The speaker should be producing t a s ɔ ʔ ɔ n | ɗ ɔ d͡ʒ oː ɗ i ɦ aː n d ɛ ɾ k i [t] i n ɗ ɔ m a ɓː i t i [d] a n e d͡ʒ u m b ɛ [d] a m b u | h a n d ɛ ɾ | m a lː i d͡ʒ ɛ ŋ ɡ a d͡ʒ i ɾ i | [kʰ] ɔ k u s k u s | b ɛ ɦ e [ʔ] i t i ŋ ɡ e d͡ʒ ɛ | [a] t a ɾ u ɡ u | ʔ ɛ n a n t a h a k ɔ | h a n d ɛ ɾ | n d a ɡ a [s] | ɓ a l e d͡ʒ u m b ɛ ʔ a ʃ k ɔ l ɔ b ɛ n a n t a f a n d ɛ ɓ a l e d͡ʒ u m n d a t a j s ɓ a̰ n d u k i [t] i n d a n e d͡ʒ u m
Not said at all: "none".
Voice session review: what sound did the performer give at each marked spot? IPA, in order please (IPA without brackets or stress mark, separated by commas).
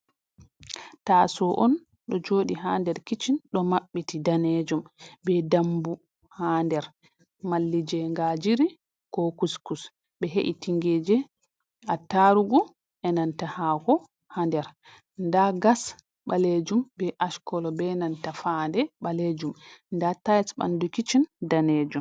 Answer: t͡ʃ, d, d, k, ʔ, a, s, t͡ʃ